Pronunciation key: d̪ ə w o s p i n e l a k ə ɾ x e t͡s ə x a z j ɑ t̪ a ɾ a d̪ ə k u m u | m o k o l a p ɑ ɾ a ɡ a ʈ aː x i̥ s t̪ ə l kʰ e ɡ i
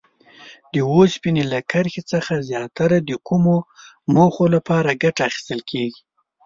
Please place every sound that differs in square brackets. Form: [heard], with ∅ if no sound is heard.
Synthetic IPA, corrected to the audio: d̪ ə w o s p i n e l a k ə ɾ x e t͡s ə x a z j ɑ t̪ a ɾ a d̪ ə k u m [o] | m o [x] o l a p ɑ ɾ a ɡ a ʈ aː x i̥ s t̪ ə l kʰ e ɡ i